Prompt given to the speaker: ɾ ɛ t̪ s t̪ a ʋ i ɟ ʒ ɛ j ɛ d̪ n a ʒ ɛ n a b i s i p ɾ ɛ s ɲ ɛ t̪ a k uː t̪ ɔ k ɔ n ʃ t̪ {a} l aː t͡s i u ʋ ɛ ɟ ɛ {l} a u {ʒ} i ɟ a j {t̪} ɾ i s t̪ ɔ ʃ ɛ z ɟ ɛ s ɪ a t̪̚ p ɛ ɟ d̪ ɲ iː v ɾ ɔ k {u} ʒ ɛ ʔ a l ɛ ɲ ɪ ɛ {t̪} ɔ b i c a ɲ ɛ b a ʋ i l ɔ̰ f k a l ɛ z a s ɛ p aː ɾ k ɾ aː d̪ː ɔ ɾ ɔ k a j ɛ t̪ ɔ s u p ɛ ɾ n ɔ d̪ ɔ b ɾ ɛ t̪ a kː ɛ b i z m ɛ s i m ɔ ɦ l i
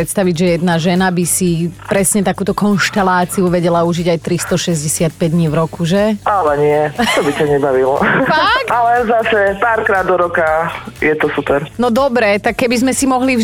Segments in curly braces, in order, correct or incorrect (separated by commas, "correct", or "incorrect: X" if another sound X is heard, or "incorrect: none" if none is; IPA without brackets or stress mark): incorrect: ɛ, correct, correct, correct, correct, correct